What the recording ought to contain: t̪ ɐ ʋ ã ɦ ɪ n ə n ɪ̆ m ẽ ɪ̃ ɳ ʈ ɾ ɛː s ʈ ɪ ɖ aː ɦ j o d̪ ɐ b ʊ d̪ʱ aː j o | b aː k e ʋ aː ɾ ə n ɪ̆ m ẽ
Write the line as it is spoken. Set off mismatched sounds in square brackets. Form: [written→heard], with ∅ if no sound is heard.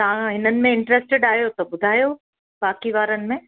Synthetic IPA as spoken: t̪ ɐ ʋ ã ɦ ɪ n ə n ɪ̆ m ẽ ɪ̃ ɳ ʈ ɾ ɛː s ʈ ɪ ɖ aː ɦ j o [d̪→t̪] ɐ b ʊ d̪ʱ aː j o | b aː k [e→i] ʋ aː ɾ ə n ɪ̆ m ẽ